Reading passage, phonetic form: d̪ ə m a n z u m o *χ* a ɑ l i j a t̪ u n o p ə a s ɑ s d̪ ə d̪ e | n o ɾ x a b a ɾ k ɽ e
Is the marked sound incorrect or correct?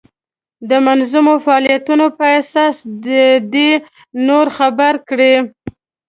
incorrect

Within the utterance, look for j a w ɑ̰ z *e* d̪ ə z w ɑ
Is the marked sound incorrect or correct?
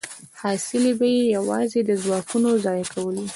correct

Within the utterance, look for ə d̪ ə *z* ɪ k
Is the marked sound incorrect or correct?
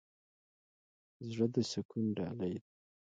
incorrect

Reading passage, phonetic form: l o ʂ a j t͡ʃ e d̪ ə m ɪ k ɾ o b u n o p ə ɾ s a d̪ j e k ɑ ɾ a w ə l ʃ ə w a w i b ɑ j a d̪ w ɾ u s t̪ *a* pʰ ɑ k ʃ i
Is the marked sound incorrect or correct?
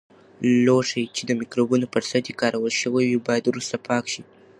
correct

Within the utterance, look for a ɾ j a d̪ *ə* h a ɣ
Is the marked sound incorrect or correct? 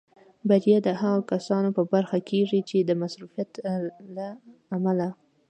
correct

